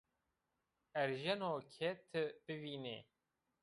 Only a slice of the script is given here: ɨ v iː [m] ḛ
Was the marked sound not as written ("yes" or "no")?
yes